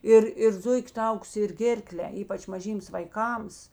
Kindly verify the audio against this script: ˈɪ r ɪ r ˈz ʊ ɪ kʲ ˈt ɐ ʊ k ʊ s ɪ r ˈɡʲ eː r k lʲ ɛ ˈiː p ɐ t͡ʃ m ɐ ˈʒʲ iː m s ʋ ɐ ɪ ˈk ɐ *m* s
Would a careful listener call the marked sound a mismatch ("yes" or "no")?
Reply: no